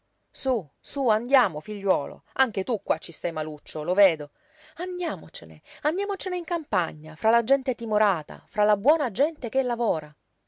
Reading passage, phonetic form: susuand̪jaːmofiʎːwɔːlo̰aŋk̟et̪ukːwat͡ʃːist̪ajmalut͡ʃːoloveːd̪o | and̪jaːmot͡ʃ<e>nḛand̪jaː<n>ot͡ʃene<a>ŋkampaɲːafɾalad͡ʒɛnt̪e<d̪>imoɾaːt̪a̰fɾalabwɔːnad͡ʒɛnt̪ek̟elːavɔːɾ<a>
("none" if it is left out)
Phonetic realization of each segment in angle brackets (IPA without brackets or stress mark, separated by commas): e, m, i, t̪, a